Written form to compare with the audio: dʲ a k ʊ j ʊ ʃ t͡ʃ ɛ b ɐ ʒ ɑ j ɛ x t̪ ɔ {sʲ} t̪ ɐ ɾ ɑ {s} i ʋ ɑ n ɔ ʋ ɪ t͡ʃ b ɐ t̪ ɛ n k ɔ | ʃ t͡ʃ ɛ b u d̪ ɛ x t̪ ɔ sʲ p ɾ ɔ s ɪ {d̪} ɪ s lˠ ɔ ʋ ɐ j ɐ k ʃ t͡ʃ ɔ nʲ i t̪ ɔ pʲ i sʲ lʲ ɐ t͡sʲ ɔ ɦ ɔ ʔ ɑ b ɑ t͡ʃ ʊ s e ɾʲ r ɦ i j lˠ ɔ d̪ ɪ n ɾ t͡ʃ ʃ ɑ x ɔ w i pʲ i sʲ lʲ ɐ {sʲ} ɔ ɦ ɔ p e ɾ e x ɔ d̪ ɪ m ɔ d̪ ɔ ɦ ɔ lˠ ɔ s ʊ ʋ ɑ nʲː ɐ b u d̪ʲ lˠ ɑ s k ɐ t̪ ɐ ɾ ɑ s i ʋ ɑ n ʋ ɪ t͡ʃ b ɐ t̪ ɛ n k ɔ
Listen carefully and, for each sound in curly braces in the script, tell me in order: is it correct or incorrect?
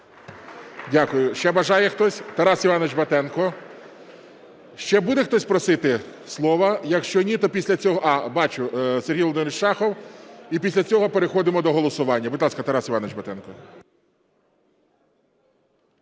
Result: correct, correct, incorrect: t̪, incorrect: t͡sʲ

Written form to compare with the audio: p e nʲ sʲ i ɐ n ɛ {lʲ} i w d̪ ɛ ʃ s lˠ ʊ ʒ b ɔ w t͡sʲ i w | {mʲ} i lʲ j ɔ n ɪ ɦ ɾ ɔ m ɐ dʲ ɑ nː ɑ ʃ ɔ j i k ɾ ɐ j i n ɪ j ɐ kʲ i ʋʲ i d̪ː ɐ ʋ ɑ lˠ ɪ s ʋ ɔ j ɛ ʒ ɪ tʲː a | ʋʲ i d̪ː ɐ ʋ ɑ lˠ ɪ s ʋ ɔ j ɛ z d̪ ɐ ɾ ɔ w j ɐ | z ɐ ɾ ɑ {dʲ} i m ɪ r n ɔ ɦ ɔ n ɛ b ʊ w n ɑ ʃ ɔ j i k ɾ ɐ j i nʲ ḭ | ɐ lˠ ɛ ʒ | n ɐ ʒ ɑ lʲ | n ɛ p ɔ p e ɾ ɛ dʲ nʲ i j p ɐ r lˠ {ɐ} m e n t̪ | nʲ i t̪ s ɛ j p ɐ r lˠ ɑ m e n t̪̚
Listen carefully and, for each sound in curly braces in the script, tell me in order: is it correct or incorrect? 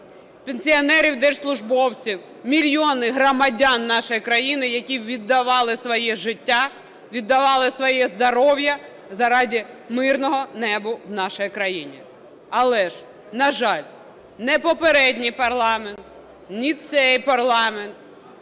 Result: incorrect: ɾʲ, correct, correct, incorrect: ɑ

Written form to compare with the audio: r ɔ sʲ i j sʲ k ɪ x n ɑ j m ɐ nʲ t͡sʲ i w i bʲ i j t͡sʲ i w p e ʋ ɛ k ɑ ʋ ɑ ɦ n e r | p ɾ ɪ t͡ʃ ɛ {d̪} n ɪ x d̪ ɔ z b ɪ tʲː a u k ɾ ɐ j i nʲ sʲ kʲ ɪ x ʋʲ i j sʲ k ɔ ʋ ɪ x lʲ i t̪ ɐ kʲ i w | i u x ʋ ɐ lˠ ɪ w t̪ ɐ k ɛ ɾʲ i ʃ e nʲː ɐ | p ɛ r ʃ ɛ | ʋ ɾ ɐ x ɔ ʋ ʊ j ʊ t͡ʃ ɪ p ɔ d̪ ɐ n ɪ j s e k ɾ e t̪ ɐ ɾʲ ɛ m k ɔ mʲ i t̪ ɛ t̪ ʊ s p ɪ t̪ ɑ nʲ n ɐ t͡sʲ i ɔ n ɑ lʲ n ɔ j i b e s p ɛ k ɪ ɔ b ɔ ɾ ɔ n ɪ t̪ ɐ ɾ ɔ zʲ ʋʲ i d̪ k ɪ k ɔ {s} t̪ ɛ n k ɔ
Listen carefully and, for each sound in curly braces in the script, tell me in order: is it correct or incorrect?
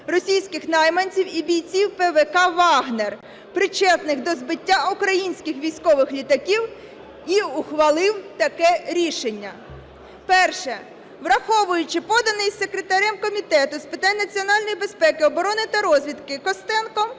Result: incorrect: t̪, correct

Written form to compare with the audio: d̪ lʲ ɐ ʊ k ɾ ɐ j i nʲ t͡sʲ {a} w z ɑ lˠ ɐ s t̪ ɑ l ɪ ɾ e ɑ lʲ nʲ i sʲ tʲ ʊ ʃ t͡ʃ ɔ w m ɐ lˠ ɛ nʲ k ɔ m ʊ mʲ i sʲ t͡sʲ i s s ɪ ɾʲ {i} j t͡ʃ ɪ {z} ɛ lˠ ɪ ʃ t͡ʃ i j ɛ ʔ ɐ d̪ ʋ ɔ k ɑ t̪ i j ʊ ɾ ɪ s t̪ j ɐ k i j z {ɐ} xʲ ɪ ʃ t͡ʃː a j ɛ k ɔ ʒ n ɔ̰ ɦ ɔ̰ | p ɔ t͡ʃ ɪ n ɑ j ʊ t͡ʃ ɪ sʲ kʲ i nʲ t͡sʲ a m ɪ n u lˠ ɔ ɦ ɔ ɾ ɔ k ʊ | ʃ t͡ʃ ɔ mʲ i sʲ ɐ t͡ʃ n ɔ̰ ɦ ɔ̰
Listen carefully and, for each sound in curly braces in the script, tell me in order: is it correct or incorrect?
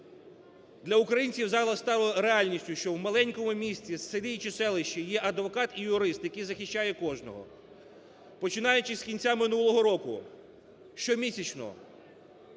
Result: incorrect: i, correct, incorrect: s, correct

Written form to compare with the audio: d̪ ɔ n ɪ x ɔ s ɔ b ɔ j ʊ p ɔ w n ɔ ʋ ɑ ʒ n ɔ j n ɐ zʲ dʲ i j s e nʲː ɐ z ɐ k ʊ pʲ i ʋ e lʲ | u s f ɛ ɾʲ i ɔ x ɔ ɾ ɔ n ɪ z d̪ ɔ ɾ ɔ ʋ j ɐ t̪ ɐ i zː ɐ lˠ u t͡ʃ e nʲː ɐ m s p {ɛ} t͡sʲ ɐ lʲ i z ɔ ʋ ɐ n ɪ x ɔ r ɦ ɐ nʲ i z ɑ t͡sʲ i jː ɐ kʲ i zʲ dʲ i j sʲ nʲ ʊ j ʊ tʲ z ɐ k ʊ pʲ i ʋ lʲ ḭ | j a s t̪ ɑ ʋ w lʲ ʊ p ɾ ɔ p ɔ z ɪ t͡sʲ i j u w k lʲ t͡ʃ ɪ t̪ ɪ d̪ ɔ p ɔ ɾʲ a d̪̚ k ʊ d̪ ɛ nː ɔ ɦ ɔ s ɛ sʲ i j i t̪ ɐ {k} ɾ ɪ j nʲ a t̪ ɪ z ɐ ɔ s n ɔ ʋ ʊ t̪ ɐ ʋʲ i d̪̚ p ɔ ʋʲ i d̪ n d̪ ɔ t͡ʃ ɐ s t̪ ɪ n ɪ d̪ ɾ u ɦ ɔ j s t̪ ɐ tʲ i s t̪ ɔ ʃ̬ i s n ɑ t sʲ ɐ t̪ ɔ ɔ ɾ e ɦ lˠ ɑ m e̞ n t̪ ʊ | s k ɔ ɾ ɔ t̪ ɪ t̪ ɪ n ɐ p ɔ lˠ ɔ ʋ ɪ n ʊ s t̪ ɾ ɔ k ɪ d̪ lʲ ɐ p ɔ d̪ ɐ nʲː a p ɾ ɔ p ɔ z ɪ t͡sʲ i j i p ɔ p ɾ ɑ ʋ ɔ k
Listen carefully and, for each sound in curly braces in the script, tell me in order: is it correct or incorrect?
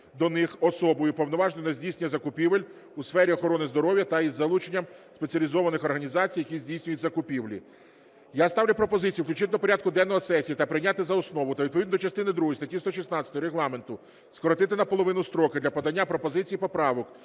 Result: incorrect: e, incorrect: p

